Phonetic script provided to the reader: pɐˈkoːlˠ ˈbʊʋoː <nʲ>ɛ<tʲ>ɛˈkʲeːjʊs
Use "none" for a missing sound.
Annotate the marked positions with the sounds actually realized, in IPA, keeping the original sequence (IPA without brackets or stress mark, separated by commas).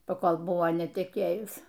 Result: nʲ, tʲ